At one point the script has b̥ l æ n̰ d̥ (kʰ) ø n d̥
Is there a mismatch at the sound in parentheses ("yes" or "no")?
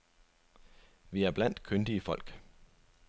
no